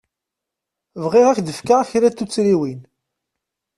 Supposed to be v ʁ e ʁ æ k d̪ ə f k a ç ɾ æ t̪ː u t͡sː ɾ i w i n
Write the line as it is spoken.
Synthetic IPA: v ʁ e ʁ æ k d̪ ə f k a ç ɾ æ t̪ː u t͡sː ɾ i w i n